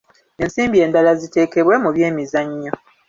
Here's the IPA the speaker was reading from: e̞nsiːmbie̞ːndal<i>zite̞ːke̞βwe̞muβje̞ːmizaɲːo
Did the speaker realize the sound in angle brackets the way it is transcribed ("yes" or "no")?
no